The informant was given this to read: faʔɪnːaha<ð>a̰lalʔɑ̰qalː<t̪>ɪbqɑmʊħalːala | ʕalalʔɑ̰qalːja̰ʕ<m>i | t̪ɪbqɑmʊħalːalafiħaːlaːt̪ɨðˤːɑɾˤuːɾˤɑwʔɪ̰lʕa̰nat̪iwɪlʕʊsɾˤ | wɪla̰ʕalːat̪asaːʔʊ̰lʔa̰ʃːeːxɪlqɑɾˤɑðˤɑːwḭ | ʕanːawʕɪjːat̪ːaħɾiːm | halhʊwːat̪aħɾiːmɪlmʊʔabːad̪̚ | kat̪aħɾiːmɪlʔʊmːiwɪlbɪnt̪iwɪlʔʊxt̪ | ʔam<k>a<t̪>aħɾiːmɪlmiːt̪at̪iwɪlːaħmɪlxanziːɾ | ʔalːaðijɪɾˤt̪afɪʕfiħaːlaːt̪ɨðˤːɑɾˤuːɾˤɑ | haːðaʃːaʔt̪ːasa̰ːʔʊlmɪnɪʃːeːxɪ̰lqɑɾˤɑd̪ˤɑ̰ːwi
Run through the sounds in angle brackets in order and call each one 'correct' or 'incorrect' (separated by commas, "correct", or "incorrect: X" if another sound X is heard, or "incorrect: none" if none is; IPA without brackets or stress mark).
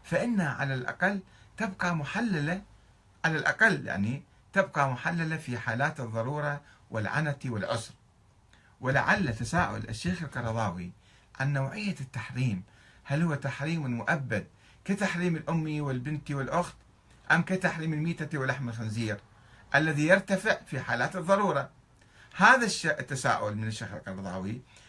incorrect: ʕ, correct, incorrect: n, correct, correct